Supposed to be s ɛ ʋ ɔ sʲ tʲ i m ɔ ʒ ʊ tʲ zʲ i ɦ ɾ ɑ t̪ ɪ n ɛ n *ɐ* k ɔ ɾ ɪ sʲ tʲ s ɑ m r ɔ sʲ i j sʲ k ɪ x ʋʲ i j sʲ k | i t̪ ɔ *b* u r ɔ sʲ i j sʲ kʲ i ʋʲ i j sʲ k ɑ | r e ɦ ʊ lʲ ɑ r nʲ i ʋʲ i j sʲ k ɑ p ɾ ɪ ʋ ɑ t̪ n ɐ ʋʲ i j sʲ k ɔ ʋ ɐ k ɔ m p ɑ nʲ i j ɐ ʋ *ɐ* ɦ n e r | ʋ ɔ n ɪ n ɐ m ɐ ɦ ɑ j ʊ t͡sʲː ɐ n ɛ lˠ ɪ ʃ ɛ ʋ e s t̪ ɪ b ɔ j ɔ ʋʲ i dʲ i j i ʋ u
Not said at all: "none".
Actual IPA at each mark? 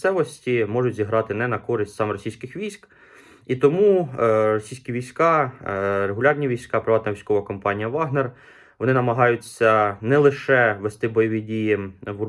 ɐ, m, ɑ

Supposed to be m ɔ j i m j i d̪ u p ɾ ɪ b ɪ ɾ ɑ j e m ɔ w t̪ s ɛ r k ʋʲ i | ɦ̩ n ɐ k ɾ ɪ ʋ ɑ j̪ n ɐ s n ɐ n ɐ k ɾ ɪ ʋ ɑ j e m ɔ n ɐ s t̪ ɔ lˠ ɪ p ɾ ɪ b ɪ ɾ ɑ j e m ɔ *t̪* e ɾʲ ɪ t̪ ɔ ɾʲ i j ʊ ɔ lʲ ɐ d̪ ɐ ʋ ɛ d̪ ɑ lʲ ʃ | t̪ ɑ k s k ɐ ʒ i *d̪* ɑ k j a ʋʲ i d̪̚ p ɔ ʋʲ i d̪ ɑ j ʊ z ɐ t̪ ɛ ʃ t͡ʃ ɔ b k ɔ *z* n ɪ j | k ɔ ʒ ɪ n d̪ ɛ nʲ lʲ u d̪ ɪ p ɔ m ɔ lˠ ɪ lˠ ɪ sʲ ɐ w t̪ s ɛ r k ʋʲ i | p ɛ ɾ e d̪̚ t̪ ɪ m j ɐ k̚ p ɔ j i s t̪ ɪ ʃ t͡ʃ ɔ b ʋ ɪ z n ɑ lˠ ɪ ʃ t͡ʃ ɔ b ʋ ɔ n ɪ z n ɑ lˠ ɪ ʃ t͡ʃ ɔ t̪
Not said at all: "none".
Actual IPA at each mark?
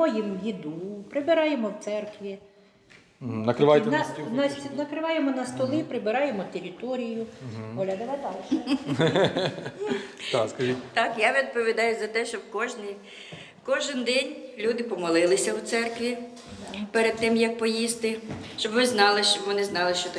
t̪, t̪, ʒ

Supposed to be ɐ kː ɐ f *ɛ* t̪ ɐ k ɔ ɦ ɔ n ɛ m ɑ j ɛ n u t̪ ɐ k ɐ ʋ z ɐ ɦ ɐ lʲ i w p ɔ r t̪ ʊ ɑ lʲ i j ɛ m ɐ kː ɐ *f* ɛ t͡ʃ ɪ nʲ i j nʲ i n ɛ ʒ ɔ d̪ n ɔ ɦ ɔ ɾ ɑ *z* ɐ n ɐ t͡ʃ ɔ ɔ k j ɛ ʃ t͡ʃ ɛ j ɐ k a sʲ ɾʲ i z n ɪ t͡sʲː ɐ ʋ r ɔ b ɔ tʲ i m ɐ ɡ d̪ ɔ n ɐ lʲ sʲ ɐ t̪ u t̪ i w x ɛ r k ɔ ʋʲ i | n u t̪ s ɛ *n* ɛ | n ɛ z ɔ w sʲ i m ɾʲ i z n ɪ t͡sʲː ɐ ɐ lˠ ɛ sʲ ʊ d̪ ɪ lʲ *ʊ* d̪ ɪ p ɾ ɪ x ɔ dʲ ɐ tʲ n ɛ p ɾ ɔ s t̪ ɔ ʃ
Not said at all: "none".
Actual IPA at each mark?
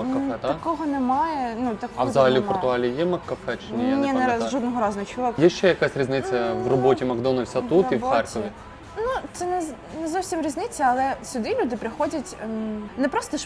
ɛ, f, z, n, u

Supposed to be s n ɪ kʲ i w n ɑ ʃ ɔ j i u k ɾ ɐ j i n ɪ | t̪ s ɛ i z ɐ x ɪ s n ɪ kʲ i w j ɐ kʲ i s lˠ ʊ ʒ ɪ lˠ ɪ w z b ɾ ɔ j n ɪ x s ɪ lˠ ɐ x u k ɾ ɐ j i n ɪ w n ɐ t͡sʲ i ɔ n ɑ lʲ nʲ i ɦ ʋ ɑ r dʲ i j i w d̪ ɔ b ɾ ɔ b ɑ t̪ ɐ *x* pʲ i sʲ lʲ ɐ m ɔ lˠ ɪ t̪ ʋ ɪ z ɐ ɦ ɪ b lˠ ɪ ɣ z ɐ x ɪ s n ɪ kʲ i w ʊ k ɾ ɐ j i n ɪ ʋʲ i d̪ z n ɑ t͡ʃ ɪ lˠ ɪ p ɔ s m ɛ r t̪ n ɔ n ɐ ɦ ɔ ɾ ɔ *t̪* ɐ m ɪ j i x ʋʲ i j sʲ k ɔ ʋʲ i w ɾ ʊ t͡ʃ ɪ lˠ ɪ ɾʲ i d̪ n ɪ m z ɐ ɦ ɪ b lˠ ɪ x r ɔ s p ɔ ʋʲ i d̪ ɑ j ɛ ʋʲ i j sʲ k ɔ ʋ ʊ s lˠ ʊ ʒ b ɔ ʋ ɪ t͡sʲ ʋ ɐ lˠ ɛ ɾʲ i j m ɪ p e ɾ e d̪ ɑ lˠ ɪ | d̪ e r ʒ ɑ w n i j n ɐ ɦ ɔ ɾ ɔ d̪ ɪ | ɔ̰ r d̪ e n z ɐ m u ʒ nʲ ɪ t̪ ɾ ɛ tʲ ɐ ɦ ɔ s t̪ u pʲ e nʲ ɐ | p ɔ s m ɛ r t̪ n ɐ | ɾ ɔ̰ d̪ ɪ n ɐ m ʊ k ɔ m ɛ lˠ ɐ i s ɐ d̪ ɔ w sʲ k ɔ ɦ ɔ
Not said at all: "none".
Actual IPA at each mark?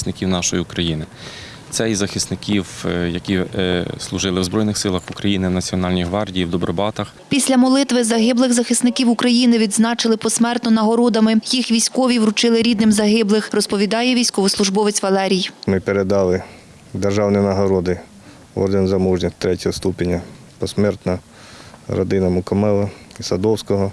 x, d̪

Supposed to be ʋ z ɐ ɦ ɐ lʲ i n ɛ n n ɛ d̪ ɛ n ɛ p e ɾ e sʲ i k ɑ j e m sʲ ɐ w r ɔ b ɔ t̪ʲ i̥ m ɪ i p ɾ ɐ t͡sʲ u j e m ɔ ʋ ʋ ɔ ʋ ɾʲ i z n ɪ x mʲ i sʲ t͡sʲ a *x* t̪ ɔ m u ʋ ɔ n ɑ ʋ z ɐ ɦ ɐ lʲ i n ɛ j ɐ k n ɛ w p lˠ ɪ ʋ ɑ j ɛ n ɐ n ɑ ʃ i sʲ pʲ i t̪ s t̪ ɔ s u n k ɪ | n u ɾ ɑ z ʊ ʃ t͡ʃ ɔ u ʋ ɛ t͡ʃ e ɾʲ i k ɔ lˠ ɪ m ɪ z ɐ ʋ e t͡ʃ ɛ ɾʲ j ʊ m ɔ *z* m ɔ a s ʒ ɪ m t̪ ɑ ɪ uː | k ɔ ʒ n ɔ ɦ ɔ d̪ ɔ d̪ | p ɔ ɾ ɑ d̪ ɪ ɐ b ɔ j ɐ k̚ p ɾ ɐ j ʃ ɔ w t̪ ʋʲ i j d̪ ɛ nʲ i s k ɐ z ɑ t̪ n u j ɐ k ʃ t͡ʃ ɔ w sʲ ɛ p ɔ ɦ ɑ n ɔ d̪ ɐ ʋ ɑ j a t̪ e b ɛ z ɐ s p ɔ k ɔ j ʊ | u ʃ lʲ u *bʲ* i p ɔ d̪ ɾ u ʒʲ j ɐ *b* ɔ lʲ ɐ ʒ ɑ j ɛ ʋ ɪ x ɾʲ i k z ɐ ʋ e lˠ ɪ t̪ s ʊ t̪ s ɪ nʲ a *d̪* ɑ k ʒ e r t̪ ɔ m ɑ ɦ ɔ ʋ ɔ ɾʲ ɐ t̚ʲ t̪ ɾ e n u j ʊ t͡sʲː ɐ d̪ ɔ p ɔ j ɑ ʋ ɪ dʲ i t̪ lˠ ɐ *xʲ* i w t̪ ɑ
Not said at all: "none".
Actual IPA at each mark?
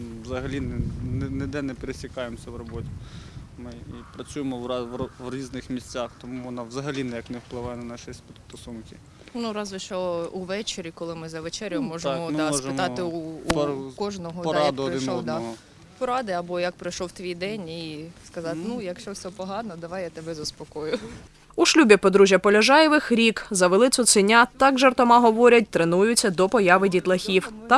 x, ʒ, bʲ, p, t̪, xʲ

